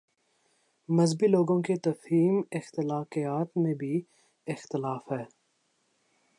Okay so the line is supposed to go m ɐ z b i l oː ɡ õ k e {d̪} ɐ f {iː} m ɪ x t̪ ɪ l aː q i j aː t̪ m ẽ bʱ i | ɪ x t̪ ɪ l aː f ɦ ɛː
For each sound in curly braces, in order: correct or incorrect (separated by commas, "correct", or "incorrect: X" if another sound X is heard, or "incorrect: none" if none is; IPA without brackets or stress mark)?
incorrect: t̪, correct